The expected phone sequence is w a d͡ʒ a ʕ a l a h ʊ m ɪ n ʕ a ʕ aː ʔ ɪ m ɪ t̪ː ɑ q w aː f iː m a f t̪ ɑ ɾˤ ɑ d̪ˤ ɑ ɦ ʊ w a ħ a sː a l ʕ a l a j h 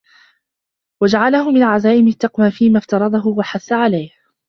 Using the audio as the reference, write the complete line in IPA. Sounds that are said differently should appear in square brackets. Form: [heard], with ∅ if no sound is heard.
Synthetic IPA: w a d͡ʒ a ʕ a l a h ʊ m ɪ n ʕ a [z] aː ʔ ɪ m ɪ t̪ː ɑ q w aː f iː m a f t̪ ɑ ɾˤ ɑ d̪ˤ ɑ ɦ ʊ w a ħ a [θː] a [∅] ʕ a l a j h